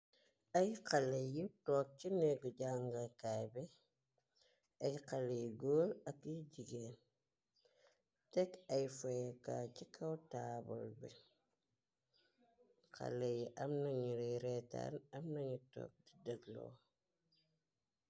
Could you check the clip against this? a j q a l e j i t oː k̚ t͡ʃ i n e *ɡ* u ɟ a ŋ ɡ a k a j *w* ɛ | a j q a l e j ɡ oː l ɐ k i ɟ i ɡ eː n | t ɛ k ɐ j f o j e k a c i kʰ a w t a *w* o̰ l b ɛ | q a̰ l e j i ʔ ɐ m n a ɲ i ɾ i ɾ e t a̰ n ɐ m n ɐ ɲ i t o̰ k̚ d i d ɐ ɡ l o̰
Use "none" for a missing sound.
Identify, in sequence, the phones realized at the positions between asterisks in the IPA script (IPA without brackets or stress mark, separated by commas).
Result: ɡ, b, b